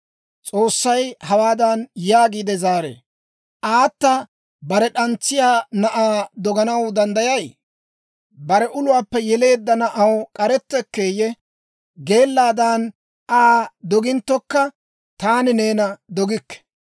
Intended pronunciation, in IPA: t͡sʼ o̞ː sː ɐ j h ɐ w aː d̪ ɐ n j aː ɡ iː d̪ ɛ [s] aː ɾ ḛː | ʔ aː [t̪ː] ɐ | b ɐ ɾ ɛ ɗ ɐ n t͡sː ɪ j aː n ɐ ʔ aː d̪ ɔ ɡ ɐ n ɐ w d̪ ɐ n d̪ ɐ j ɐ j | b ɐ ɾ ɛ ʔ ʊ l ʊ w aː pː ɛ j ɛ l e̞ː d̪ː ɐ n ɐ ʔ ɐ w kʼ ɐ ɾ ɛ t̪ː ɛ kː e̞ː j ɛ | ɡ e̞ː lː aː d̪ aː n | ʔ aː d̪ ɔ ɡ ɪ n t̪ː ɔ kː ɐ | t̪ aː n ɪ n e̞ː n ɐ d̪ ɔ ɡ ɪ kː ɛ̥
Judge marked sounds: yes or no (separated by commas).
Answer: no, yes